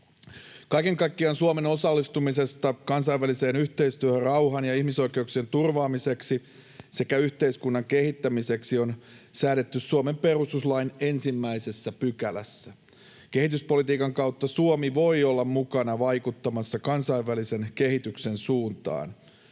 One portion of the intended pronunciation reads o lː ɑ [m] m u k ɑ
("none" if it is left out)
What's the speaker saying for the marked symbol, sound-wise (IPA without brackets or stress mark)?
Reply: m